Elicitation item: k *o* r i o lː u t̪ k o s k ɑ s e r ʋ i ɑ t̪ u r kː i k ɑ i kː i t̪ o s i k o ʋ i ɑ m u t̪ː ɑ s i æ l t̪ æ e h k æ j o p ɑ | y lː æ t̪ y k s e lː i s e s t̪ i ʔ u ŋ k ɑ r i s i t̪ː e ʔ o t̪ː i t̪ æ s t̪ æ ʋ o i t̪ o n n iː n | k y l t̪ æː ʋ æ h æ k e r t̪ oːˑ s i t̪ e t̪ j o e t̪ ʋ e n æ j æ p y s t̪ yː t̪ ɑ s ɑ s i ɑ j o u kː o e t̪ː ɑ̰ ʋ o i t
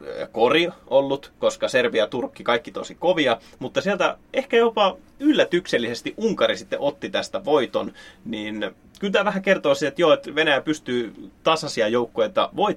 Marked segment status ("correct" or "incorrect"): correct